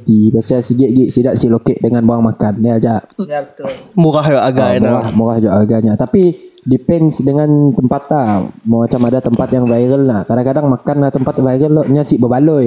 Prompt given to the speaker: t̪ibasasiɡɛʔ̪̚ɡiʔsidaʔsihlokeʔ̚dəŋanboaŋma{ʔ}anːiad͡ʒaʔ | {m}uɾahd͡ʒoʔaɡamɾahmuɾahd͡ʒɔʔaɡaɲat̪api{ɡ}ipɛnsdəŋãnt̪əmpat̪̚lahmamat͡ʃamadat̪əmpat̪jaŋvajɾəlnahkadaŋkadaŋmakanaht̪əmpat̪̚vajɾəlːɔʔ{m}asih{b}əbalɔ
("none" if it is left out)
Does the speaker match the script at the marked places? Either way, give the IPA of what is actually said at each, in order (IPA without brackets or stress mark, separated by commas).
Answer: k, m, d, ɲ, b